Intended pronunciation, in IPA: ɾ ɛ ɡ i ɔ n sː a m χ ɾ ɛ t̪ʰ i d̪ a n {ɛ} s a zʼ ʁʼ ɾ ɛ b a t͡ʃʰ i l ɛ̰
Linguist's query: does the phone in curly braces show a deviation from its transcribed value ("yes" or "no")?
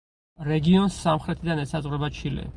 no